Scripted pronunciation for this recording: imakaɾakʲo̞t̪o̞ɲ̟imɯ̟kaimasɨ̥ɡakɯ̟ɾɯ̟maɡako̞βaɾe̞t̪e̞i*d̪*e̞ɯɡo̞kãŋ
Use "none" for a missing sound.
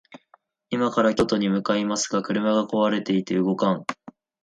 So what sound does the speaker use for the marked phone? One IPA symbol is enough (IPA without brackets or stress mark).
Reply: t̪